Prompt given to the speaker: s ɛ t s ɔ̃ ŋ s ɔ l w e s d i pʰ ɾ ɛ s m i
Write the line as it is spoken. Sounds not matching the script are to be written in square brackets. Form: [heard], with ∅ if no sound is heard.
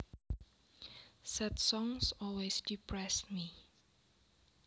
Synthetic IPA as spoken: s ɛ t s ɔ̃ ŋ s ɔ l w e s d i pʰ [ɹ] ɛ s m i